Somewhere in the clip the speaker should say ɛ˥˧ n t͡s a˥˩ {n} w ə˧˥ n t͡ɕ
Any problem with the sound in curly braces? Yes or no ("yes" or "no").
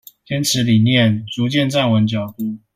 no